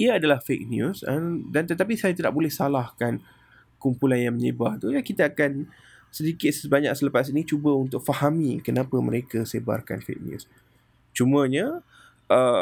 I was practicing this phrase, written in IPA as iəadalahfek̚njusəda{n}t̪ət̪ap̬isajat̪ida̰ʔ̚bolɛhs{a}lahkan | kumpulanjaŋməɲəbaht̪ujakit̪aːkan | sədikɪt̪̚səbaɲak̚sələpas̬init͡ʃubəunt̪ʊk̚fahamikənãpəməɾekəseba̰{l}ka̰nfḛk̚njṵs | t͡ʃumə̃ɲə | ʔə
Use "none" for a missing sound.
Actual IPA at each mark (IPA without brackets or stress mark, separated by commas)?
n, a, r